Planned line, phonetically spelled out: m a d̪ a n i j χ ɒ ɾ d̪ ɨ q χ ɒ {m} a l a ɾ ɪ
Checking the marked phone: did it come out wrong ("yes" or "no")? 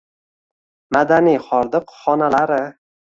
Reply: yes